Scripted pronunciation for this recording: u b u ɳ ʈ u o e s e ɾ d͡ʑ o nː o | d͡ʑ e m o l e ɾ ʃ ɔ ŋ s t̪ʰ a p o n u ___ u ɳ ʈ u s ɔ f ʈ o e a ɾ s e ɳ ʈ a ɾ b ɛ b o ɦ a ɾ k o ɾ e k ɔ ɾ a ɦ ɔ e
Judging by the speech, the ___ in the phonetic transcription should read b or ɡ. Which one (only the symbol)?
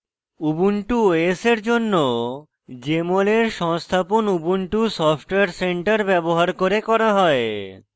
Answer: b